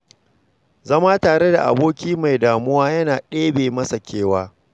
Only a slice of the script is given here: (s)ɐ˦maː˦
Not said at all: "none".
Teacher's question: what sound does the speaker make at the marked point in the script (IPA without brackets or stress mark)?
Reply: z